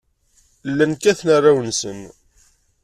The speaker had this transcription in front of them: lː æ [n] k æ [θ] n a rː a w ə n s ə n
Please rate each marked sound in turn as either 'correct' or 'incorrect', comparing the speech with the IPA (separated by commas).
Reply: correct, correct